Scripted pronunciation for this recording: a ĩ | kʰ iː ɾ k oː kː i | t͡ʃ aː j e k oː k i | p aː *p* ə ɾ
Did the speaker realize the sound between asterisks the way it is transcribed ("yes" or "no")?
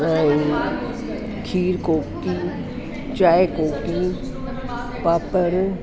yes